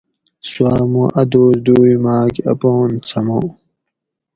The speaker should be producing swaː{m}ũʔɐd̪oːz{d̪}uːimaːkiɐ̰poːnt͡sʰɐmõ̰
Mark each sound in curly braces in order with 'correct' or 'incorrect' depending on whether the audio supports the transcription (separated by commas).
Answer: correct, correct